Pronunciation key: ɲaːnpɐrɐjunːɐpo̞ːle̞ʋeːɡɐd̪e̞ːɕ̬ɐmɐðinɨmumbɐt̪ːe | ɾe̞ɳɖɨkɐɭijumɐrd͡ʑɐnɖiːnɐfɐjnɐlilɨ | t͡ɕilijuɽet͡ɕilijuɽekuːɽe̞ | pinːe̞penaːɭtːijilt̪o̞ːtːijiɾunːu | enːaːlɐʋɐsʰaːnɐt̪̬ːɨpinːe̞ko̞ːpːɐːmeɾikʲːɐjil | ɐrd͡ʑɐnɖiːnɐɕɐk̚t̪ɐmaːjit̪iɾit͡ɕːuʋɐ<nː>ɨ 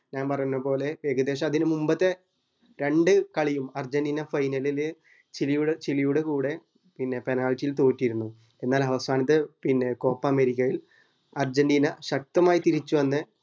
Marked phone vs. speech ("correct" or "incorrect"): correct